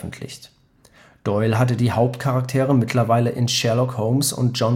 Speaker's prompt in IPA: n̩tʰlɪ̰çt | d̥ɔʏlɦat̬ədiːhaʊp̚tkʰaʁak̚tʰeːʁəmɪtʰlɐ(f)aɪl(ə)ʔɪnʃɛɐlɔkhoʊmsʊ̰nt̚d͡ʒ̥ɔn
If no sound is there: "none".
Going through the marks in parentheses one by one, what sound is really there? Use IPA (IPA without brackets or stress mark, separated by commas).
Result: v, ə